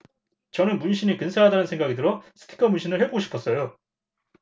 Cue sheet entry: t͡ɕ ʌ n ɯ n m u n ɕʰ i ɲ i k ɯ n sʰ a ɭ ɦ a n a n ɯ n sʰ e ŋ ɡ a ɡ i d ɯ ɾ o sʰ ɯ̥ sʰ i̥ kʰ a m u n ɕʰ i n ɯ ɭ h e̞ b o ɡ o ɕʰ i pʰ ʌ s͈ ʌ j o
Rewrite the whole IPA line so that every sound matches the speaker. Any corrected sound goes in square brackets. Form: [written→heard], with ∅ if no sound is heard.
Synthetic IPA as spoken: t͡ɕ ʌ n ɯ n m u n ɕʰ i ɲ i k ɯ n sʰ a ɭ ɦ a [n→d] a n ɯ n sʰ e ŋ ɡ a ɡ i d ɯ ɾ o sʰ ɯ̥ [sʰ→tʰ] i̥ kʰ [a→ʌ] m u n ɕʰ i n ɯ ɭ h e̞ b o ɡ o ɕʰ i pʰ ʌ s͈ ʌ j o